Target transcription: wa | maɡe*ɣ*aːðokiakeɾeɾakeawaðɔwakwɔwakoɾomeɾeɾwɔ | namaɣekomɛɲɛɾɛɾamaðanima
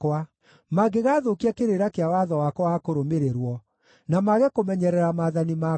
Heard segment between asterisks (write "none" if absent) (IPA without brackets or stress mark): ɣ